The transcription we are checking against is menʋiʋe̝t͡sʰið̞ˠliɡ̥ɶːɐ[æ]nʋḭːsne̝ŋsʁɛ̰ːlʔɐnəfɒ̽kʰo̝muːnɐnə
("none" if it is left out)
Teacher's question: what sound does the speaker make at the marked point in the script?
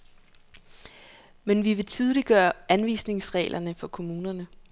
æ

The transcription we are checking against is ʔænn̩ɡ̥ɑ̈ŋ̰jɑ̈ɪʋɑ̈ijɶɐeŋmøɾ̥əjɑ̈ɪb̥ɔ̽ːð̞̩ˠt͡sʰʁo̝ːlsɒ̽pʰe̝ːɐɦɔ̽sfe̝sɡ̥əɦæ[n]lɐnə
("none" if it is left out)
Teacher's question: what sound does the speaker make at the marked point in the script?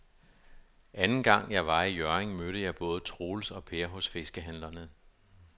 n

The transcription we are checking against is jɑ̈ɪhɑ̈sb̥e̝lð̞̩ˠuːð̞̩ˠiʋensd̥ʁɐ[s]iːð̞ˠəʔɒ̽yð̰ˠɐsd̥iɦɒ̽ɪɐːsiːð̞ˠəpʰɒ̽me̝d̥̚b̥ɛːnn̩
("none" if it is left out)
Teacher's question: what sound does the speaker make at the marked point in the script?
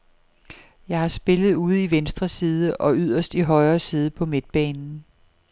s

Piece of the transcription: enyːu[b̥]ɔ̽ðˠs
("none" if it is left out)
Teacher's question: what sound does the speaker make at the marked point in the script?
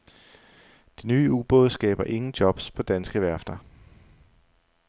b̥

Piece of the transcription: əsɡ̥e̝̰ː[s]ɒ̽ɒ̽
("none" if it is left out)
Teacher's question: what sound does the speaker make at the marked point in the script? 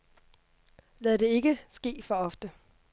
f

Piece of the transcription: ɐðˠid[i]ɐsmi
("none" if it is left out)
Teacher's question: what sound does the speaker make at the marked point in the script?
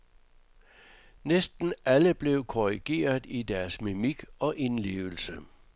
æ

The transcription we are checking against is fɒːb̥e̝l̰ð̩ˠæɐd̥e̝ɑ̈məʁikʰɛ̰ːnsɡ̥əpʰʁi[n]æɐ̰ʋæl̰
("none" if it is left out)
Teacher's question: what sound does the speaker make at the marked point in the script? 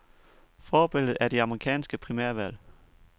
m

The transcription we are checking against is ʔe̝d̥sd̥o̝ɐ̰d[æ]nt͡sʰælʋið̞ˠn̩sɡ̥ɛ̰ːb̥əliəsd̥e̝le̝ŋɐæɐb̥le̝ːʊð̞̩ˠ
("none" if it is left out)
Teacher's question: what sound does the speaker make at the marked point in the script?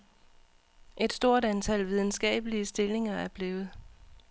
æ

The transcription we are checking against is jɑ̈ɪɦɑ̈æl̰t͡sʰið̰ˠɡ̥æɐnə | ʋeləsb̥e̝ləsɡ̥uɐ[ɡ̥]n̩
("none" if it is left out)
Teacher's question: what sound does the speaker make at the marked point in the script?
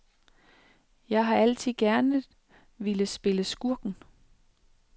ɡ̥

